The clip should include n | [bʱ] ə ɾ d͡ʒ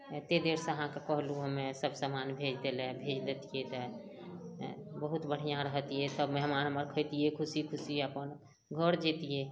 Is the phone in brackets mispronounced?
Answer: yes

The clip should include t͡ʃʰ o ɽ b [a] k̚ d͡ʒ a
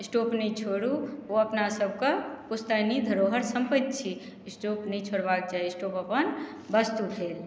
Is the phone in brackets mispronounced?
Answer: no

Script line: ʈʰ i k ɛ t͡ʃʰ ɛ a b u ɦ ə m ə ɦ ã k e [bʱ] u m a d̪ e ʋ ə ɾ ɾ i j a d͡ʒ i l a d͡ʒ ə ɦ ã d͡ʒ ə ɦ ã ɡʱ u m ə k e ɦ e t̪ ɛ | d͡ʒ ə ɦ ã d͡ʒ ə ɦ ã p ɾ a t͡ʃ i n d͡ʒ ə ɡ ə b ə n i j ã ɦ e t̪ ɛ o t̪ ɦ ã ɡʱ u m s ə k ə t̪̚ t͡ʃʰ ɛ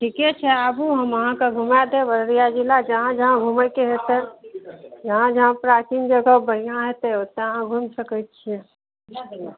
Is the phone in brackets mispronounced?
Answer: yes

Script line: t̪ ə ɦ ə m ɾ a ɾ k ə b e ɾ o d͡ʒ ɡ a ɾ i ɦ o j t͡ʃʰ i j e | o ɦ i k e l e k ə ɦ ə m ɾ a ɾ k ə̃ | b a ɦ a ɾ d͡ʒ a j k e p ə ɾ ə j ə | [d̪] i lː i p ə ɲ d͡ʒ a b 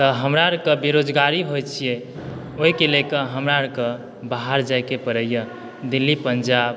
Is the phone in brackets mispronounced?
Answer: no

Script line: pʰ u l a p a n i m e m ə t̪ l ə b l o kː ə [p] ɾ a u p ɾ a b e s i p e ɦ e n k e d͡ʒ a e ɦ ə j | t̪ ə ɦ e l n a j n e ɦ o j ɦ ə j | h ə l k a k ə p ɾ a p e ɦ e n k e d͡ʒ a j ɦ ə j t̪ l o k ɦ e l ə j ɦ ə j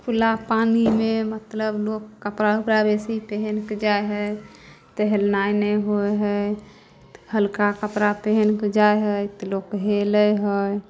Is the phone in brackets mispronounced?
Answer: no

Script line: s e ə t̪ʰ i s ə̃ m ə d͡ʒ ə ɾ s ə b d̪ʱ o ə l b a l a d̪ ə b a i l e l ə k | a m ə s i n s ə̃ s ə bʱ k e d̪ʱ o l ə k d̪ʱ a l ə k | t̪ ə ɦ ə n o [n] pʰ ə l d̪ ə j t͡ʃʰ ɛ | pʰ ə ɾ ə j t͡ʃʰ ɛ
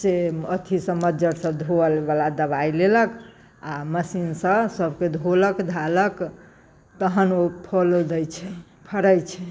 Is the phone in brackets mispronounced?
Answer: yes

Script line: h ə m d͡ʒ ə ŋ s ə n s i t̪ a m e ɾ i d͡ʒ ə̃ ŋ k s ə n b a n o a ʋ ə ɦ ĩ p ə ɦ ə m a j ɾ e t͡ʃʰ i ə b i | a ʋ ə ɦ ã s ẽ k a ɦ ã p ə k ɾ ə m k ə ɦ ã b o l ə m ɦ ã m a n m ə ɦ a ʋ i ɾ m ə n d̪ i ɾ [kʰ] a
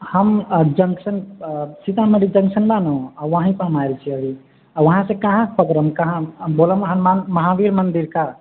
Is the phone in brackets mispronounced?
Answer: yes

